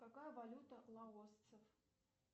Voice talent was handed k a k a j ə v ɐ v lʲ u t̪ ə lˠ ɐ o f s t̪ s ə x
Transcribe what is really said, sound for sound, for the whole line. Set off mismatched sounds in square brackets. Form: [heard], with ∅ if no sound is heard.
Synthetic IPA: k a k a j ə v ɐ [∅] lʲ u t̪ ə lˠ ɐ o [∅] s t̪ s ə [f]